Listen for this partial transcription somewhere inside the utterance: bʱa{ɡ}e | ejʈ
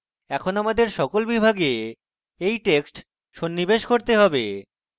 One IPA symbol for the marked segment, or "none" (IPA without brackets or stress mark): ɡ